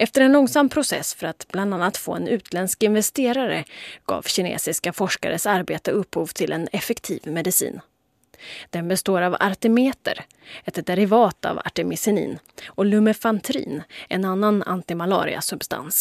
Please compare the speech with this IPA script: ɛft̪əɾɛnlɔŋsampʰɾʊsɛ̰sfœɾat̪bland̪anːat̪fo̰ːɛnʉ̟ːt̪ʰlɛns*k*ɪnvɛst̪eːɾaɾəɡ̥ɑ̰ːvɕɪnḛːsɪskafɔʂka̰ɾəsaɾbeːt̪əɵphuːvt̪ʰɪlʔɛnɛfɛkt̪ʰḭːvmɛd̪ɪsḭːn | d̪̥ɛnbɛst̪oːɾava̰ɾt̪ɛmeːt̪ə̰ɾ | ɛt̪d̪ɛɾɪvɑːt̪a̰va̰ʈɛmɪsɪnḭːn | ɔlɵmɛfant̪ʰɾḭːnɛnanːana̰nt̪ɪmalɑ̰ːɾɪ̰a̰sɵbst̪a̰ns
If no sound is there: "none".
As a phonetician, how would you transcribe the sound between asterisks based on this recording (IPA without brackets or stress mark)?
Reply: k